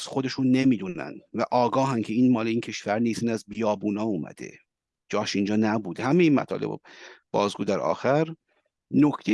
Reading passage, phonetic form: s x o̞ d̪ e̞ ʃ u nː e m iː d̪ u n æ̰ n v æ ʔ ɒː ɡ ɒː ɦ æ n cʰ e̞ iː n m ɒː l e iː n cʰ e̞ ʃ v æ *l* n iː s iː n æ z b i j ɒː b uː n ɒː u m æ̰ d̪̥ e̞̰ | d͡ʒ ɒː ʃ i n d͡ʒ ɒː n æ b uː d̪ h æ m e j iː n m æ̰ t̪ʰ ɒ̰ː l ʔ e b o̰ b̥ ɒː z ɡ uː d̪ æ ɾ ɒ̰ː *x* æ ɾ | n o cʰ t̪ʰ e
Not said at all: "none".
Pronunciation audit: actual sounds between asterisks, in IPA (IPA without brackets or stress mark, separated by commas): ɾ, x